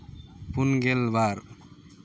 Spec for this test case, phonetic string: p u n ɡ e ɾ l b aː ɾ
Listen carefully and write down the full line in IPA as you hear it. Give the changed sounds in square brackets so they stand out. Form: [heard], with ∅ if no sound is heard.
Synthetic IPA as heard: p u n ɡ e [∅] l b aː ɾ